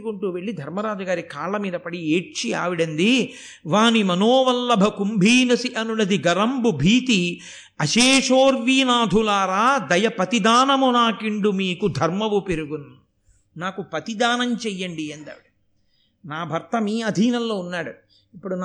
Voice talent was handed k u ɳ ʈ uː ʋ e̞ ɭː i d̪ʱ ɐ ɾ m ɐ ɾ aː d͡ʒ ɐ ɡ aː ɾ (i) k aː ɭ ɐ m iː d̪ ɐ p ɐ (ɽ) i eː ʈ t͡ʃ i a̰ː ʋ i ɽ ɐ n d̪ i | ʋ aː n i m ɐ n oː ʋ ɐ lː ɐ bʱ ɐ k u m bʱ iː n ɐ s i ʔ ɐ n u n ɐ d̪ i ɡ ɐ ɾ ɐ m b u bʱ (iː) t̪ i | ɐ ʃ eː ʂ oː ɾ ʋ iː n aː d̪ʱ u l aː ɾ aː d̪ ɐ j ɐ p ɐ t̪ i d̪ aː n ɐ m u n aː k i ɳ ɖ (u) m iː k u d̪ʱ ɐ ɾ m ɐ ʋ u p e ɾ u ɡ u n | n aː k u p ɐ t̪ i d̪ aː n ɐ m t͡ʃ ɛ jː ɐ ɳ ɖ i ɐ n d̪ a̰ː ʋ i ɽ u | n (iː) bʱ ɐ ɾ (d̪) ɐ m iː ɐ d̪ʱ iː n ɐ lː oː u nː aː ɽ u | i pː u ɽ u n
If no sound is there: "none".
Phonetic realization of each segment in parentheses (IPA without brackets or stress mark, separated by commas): i, ɽ, iː, u, aː, t̪